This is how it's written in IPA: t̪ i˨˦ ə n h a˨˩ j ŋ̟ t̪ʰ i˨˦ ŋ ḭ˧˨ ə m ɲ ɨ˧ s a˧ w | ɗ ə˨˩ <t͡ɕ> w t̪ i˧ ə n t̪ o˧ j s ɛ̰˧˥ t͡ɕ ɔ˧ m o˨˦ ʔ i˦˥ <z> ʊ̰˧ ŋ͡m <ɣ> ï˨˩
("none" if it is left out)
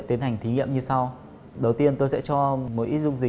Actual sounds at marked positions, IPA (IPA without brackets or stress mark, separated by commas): none, z, z